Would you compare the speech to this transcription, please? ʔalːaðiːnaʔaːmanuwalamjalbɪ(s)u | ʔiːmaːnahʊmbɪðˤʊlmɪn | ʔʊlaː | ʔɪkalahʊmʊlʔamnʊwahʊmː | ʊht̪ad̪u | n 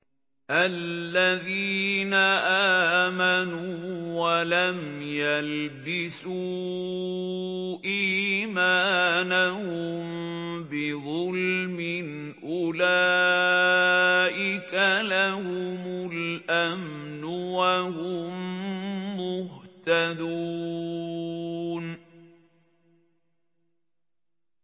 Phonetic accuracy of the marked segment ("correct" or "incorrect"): correct